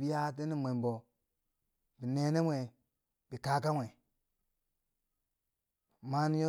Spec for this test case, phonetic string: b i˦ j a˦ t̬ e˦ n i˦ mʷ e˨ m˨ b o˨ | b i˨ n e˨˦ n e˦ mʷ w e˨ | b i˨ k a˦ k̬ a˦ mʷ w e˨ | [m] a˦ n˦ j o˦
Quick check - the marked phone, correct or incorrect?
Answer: correct